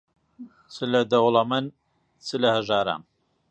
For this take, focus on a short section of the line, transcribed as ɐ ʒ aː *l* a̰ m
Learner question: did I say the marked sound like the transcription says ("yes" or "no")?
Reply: no